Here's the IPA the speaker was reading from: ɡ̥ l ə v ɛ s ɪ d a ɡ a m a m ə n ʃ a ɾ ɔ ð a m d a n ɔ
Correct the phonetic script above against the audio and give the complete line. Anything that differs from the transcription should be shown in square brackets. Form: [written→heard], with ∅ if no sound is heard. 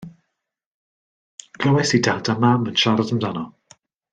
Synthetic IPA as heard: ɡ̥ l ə [v→w] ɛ s [ɪ→i] d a [ɡ→d] a m a m ə n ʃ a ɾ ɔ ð [a→ə] m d a n ɔ

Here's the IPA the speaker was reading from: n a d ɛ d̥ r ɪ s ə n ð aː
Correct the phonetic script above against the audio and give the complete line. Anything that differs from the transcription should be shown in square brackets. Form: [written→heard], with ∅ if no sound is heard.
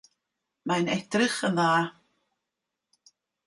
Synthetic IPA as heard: [n→m] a [d→n] ɛ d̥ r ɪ [s→χ] ə n ð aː

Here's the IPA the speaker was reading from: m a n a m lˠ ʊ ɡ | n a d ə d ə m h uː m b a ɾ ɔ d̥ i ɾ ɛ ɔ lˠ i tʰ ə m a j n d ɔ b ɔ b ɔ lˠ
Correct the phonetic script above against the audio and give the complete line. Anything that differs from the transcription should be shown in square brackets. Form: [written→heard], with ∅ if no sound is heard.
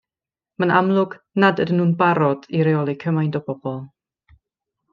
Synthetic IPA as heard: m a n a m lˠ ʊ ɡ | n a d ə d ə [m→n] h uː [m→n] b a ɾ ɔ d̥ i ɾ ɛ ɔ lˠ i [tʰ→kʰ] ə m a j n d ɔ b ɔ b ɔ lˠ

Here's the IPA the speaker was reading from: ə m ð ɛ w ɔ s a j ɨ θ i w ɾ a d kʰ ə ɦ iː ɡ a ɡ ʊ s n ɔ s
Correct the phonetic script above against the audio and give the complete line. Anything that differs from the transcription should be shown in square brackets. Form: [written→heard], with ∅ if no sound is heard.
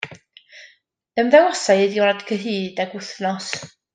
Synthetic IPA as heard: ə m ð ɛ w ɔ s a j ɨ [θ→ð] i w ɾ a d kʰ ə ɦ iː [ɡ→d] a ɡ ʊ [s→θ] n ɔ s

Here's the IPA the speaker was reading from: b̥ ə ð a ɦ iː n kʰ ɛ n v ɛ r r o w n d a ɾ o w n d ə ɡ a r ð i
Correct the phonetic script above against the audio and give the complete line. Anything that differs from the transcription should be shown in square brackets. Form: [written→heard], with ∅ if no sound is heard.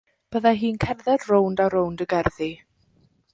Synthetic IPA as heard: b̥ ə ð a ɦ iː n kʰ ɛ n [v→ð] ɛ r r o w n d a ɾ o w n d ə ɡ [a→ɛ] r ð i

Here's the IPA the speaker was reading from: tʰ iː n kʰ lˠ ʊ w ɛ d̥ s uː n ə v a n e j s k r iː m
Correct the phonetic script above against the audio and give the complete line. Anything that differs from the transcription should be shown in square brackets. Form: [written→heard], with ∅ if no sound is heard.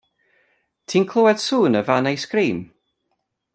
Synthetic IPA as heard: tʰ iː n kʰ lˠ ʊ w ɛ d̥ s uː n ə v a n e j s k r iː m

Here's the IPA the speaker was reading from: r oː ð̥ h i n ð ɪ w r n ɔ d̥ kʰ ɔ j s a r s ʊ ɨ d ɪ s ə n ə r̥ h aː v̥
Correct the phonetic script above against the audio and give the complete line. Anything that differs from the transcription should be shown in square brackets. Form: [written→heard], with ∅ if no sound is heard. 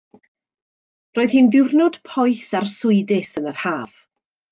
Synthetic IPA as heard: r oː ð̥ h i n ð ɪ w r n ɔ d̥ [kʰ→pʰ] ɔ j [s→θ] a r s ʊ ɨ d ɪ s ə n ə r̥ h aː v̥

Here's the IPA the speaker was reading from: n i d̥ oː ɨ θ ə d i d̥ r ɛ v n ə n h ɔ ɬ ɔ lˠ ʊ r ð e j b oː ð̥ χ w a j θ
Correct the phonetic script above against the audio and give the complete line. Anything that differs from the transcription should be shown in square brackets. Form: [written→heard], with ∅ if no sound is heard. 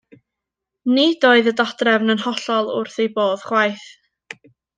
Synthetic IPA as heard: n i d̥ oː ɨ [θ→ð] ə d [i→a] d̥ r ɛ v n ə n h ɔ ɬ ɔ lˠ ʊ r [ð→θ] e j b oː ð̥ χ w a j θ

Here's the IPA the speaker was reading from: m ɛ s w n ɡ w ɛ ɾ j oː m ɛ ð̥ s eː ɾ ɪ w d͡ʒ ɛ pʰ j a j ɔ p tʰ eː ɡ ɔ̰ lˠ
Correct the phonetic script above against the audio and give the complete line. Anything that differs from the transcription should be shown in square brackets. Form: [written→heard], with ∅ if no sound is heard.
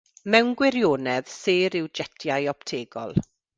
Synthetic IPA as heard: m ɛ [s→∅] w n ɡ w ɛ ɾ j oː [m→n] ɛ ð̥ s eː ɾ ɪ w d͡ʒ ɛ [pʰ→tʰ] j a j ɔ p tʰ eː ɡ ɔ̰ lˠ

